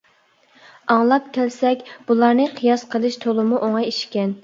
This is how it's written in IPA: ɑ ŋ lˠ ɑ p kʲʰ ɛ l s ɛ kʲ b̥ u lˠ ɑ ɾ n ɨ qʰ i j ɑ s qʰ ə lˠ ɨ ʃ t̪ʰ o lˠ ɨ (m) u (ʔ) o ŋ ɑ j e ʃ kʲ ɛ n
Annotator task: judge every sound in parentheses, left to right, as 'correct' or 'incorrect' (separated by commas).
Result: correct, correct